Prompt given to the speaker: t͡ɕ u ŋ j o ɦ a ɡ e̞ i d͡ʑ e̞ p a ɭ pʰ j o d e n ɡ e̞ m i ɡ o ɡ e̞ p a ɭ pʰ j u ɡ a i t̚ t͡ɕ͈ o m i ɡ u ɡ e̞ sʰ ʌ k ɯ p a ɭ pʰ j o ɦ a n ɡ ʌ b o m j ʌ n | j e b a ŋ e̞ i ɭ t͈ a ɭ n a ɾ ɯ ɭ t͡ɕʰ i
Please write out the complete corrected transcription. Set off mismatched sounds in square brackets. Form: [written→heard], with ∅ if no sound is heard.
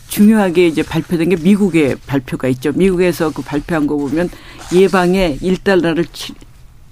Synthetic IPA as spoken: t͡ɕ u ŋ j o ɦ a ɡ e̞ i d͡ʑ e̞ p a ɭ pʰ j o d e n ɡ e̞ m i ɡ [o→u] ɡ e̞ p a ɭ pʰ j [u→o] ɡ a i t̚ t͡ɕ͈ o m i ɡ u ɡ e̞ sʰ ʌ k ɯ p a ɭ pʰ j o ɦ a n ɡ ʌ b o m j ʌ n | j e b a ŋ e̞ i ɭ t͈ a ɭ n a ɾ ɯ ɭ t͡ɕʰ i